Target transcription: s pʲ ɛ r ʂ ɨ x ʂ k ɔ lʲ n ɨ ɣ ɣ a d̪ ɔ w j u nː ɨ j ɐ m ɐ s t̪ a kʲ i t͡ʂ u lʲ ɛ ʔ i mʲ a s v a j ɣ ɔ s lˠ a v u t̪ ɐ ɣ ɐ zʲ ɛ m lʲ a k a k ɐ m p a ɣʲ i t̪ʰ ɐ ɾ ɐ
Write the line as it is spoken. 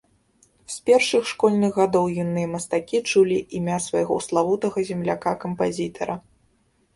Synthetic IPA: s pʲ ɛ r ʂ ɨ x ʂ k ɔ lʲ n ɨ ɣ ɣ a d̪ ɔ w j u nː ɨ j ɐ m ɐ s t̪ a kʲ i t͡ʂ u lʲ i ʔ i mʲ a s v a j ɣ ɔ s lˠ a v u t̪ ɐ ɣ ɐ zʲ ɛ m lʲ a k a k ɐ m p a zʲ i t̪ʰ ɐ ɾ ɐ